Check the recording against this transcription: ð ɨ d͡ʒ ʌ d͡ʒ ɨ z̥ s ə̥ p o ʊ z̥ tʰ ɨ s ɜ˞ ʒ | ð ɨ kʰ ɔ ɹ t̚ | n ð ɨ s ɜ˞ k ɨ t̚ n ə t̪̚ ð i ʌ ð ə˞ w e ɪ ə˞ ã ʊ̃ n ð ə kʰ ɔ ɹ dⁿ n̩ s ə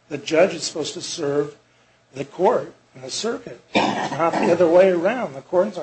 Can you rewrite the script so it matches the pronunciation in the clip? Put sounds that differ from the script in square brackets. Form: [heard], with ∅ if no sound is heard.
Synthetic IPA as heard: ð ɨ d͡ʒ ʌ d͡ʒ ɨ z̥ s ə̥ p o ʊ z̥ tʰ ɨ s ɜ˞ [v] | ð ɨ kʰ ɔ ɹ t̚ | n ð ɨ s ɜ˞ k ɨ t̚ n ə t̪̚ ð i ʌ ð ə˞ w e ɪ ə˞ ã ʊ̃ n ð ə kʰ ɔ ɹ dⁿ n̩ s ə

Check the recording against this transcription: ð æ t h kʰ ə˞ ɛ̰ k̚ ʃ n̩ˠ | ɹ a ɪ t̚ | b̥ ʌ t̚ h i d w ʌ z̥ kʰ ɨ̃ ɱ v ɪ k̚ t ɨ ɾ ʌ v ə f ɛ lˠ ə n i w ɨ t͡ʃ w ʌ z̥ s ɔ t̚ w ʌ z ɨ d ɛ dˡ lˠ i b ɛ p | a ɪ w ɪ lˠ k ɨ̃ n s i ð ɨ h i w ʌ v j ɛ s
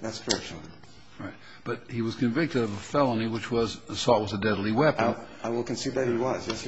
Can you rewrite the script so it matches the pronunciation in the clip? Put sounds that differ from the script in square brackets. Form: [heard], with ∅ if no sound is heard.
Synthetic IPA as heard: ð æ t [s] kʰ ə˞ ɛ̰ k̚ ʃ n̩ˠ | ɹ a ɪ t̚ | b̥ ʌ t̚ h i [∅] w ʌ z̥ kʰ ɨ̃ ɱ v ɪ k̚ t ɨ ɾ ʌ v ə f ɛ lˠ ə n i w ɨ t͡ʃ w ʌ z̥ s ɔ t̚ w ʌ z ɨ d ɛ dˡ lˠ i [w] ɛ p | a ɪ w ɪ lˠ k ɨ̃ n s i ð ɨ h i w ʌ [z] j ɛ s

